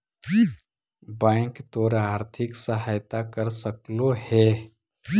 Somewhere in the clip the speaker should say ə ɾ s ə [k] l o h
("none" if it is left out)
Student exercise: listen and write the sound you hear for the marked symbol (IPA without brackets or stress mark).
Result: k